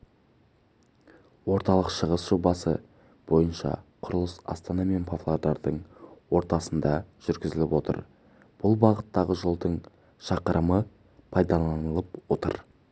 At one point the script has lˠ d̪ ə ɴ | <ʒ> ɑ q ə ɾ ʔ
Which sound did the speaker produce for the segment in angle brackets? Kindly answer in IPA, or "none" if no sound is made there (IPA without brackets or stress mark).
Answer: ʃ